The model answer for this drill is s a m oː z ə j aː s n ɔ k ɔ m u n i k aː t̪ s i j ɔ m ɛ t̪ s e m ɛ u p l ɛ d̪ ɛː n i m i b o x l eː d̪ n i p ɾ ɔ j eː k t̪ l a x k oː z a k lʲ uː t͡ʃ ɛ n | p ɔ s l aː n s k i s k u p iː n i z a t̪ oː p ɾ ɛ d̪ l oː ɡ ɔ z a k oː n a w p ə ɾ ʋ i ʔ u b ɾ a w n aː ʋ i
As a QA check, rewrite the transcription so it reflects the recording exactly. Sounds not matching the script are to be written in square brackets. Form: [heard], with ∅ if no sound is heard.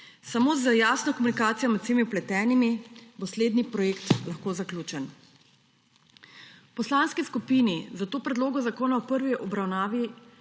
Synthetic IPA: s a m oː z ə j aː s n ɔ k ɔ m u n i k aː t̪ s i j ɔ m ɛ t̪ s e m [i] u p l ɛ [t̪] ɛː n i m i b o [s] l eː d̪ n i p ɾ ɔ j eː k t̪ l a x k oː z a k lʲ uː t͡ʃ ɛ n | p ɔ s l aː n s k i s k u p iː n i z a t̪ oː p ɾ ɛ d̪ l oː ɡ ɔ z a k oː n a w p ə ɾ ʋ i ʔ [ɔ] b ɾ a w n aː ʋ i